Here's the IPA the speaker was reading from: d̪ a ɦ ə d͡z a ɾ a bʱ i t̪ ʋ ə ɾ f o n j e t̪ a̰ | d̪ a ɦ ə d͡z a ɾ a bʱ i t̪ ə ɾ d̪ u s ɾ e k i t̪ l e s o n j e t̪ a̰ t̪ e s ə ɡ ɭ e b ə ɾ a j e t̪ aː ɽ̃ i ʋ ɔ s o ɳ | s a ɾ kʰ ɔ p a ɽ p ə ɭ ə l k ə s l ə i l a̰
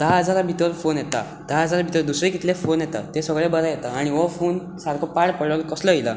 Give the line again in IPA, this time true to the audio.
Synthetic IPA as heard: d̪ a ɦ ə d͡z a ɾ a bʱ i t̪ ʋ ə ɾ f o n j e t̪ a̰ | d̪ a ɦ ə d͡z a ɾ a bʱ i t̪ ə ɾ d̪ u s ɾ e k i t̪ l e f o n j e t̪ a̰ t̪ e s ə ɡ ɭ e b ə ɾ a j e t̪ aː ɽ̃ i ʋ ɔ f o n | s a ɾ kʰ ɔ p a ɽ p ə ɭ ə l k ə s l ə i l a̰